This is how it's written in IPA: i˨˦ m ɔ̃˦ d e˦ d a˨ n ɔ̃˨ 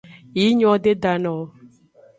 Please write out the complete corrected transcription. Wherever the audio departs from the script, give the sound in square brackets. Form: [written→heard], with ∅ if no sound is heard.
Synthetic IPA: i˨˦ [m→ɲ] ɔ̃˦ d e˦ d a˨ n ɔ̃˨